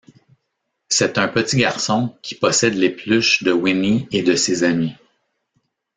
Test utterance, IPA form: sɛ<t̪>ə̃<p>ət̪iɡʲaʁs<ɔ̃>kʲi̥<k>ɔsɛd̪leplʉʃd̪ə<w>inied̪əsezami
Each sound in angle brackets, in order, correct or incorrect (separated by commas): correct, correct, correct, incorrect, correct